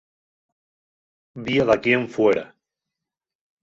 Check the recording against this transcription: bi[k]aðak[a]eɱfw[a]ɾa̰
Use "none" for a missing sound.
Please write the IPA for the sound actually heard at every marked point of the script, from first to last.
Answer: none, i, e

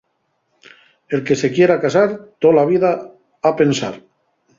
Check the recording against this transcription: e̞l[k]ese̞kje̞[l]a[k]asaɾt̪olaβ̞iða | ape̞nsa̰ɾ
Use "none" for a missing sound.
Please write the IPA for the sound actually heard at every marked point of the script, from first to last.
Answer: k, ɾ, k

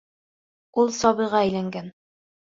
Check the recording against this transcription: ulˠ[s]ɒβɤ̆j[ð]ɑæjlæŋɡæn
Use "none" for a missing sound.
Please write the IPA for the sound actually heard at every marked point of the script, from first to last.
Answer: s, ʁ

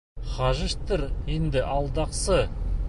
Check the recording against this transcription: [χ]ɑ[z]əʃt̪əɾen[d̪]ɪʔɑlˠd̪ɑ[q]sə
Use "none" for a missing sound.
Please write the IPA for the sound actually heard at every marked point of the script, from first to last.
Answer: χ, ʒ, d̪, q

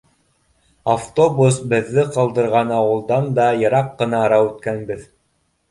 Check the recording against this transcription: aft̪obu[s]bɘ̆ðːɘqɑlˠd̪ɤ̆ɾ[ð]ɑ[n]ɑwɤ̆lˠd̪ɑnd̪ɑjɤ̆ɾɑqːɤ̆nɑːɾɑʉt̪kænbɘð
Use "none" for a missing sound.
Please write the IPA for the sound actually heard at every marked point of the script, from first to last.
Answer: s, ʁ, n

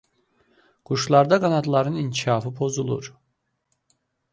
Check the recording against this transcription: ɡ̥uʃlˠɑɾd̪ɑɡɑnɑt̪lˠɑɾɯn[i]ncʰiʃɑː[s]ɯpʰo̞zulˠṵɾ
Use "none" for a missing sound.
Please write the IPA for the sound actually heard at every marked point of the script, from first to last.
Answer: i, f

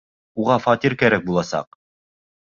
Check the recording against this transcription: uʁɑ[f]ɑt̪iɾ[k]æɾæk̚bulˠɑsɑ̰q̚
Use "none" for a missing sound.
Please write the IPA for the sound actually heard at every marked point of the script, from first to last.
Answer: f, k

